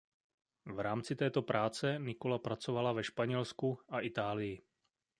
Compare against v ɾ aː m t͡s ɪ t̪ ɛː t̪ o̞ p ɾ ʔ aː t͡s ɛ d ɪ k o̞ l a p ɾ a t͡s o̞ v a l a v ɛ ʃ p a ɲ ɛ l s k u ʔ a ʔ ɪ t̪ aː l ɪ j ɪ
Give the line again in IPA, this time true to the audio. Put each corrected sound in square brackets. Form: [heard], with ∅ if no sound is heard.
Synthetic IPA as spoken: v ɾ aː m t͡s ɪ t̪ ɛː t̪ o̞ p ɾ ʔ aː t͡s ɛ [n] ɪ k o̞ l a p ɾ a t͡s o̞ v a l a v ɛ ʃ p a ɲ ɛ l s k u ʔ a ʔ ɪ t̪ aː l ɪ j ɪ